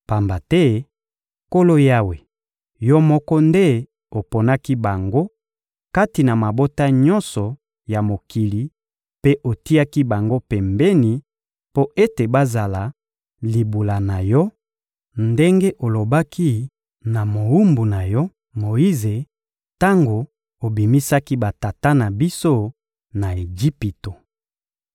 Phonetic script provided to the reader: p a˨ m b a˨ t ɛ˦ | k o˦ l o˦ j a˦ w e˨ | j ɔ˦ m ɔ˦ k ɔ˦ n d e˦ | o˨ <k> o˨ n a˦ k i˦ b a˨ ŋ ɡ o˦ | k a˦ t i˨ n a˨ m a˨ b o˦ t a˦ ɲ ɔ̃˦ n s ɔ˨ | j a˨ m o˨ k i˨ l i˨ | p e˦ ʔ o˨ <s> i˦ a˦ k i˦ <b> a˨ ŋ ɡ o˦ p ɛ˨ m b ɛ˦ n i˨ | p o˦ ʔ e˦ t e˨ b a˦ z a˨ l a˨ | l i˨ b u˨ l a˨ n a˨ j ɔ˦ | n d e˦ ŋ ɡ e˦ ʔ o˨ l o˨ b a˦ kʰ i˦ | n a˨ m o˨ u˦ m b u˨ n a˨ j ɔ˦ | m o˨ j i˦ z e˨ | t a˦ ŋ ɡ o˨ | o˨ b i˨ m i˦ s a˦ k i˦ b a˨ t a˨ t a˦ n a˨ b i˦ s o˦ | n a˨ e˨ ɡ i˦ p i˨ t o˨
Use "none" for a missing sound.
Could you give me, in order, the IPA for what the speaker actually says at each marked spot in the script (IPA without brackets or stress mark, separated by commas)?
p, t, b